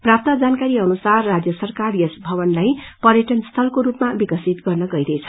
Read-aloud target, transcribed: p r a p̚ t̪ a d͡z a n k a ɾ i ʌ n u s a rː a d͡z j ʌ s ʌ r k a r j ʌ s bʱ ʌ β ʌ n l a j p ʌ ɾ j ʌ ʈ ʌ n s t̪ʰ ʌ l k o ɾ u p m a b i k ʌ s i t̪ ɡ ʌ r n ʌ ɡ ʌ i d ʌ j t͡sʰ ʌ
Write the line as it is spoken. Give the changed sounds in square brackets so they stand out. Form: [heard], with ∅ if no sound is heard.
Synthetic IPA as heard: p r a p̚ t̪ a d͡z a n k a ɾ i ʌ n u s a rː a d͡z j ʌ s ʌ r k a r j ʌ s bʱ ʌ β ʌ n l a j p ʌ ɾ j ʌ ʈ ʌ n s t̪ʰ ʌ l k o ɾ u p m a b i k ʌ s i t̪ ɡ ʌ r n ʌ ɡ ʌ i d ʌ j t͡sʰ ʌ

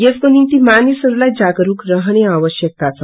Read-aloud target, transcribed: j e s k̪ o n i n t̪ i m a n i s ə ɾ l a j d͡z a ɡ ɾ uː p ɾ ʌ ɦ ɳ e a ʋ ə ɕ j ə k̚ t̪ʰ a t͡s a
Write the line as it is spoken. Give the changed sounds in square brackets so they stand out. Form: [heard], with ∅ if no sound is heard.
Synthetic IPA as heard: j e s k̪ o n i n t̪ i m a n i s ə ɾ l a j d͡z a ɡ ɾ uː [k] ɾ [ə] ɦ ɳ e a ʋ ə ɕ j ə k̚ [t̪] a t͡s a

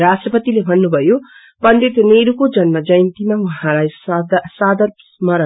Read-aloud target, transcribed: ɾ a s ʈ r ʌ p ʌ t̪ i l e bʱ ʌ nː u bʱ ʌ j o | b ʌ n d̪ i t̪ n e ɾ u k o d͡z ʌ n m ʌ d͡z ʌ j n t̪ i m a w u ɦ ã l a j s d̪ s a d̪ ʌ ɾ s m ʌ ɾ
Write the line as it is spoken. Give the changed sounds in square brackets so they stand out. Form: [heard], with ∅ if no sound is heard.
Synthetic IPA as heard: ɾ a s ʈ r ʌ p ʌ t̪ i l e bʱ ʌ nː u bʱ ʌ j o | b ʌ n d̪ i t̪ n e ɾ u k o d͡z ʌ n m ʌ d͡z ʌ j n t̪ i m a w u ɦ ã l a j s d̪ s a d̪ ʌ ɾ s m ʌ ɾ

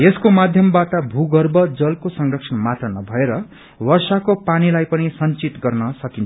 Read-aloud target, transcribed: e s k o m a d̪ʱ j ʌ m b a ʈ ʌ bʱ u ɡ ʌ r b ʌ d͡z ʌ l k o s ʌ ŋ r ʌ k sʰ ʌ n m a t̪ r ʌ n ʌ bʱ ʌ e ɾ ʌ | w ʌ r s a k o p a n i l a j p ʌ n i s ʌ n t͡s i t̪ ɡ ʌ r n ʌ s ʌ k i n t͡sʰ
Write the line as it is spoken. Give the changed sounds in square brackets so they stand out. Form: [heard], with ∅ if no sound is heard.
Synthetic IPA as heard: e s k o m a d̪ʱ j ʌ m b a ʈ ʌ bʱ u ɡ ʌ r b ʌ d͡z ʌ l k o s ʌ ŋ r ʌ k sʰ ʌ n m a t̪ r ʌ n ʌ bʱ ʌ e ɾ ʌ | w ʌ r s a k o p a n i l a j p ʌ n i s ʌ n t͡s i t̪ ɡ ʌ r n ʌ s ʌ k i n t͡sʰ

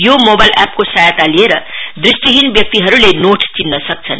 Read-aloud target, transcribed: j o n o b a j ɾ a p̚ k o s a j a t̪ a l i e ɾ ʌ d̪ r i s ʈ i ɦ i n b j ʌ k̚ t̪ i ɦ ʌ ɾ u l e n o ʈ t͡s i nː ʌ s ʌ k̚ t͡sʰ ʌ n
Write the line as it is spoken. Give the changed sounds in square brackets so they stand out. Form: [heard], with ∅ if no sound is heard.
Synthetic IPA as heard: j o [m] o b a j [l] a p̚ k o s a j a t̪ a l i e ɾ ʌ d̪ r i s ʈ i ɦ i n b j ʌ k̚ t̪ i ɦ ʌ ɾ u l e n o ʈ t͡s i nː ʌ s ʌ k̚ t͡sʰ ʌ n

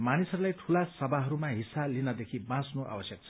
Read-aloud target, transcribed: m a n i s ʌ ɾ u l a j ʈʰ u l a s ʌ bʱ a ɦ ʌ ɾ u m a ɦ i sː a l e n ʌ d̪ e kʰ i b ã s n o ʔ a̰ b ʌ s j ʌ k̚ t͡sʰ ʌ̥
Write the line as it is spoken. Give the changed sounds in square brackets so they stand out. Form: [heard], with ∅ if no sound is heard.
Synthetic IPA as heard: m a n i s ʌ ɾ u l a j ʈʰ u l a s ʌ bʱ a ɦ ʌ ɾ u m a ɦ i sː a l [i] n ʌ d̪ e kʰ i b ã s n o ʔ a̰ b ʌ s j ʌ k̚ t͡sʰ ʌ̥

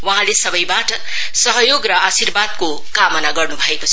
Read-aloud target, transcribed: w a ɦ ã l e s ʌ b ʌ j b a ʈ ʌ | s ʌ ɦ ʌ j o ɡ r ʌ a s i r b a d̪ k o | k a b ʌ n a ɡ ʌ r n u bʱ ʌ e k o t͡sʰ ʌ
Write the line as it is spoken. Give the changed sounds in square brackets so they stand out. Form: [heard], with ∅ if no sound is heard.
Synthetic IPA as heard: w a ɦ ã l e s ʌ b ʌ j b a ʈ ʌ | s ʌ ɦ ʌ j o ɡ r ʌ a s i r b a d̪ k o | k a [m] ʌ n a ɡ ʌ r n u bʱ ʌ e k o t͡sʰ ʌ

